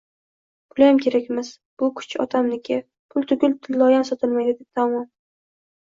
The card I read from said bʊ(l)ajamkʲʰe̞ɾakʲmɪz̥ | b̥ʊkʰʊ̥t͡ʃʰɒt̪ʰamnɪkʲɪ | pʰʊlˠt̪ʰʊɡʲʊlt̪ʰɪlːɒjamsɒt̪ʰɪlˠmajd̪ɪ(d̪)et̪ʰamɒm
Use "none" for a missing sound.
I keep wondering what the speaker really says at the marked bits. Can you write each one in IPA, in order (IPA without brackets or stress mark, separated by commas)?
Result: l, d̪